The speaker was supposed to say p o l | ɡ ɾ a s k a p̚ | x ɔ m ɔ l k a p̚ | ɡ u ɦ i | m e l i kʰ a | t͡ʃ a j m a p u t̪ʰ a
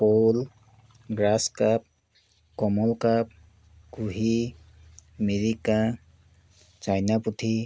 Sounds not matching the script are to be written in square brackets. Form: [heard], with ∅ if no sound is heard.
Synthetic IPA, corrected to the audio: p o l | ɡ ɾ a s k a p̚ | [k] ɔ m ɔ l k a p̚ | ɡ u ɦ i | m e [ɾ] i [k] a | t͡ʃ a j [n] a p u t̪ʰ [i]